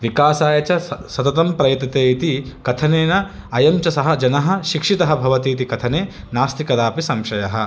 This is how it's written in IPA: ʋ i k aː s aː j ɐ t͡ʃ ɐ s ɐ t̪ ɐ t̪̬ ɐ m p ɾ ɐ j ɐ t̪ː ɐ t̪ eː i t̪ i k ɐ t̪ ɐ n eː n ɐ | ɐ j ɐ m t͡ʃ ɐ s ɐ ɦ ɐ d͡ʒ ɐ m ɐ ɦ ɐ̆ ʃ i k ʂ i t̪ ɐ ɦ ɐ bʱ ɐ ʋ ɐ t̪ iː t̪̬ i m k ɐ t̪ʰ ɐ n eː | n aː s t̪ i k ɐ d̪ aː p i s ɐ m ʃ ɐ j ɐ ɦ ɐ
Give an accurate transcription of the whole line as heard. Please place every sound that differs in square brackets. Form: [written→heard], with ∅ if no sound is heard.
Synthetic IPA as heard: ʋ i k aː s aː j ɐ t͡ʃ ɐ s ɐ t̪ ɐ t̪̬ ɐ m p ɾ ɐ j ɐ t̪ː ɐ t̪ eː i t̪ i k ɐ [t̪→t̪ʰ] ɐ n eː n ɐ | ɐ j ɐ m t͡ʃ ɐ s ɐ ɦ ɐ d͡ʒ ɐ [m→n] ɐ ɦ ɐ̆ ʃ i k ʂ i t̪ ɐ ɦ ɐ bʱ ɐ ʋ ɐ t̪ iː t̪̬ i [m→∅] k ɐ t̪ʰ ɐ n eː | n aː s t̪ i k ɐ d̪ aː p i s ɐ m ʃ ɐ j ɐ ɦ ɐ